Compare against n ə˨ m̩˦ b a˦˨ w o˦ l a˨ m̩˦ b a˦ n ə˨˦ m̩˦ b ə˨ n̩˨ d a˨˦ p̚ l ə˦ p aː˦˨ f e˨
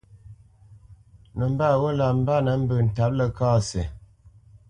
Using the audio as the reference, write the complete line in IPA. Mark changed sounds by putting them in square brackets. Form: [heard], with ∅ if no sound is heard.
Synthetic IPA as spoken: n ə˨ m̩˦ b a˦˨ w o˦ l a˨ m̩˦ b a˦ n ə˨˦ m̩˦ b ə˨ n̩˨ [t] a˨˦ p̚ l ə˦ [k] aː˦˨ [s] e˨